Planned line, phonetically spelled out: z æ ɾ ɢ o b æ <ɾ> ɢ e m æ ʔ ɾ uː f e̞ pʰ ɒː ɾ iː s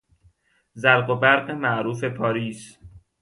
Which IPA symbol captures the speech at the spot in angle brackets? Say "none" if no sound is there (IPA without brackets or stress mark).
ɾ